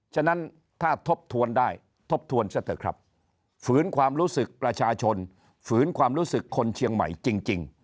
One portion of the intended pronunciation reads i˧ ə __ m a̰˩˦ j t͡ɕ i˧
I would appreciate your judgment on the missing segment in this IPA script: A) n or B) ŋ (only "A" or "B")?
B